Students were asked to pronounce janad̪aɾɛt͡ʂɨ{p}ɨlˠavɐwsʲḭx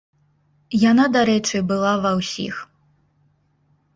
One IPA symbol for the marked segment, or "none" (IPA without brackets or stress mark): b